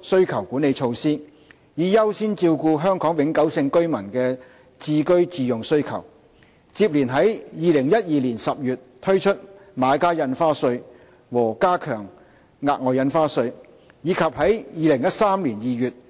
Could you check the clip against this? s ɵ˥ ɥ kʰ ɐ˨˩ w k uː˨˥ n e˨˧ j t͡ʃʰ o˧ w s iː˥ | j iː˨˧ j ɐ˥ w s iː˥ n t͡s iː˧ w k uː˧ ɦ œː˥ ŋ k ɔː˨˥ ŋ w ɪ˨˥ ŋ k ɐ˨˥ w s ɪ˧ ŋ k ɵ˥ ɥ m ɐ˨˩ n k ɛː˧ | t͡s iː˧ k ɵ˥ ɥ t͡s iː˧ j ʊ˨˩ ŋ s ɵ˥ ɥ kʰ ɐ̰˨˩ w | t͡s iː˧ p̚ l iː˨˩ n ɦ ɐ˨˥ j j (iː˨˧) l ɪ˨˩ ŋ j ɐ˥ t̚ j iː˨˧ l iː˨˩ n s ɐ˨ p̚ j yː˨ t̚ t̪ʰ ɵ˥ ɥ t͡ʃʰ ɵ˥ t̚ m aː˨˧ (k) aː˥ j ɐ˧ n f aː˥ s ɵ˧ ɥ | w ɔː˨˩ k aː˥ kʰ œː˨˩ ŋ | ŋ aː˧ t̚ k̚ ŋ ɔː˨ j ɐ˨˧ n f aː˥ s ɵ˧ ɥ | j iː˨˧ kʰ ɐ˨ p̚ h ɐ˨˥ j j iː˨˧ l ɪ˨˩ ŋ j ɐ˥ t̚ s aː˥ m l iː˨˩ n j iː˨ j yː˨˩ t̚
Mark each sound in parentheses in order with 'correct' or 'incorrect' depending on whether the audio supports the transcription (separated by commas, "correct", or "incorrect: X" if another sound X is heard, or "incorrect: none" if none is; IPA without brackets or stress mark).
correct, correct